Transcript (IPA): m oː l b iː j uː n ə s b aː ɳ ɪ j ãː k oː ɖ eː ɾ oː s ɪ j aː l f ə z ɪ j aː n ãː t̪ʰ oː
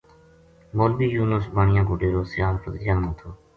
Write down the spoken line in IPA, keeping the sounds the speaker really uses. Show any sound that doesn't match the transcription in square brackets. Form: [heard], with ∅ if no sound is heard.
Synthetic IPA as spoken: m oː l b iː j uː n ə s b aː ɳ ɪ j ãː k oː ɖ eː ɾ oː s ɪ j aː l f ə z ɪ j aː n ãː t̪ʰ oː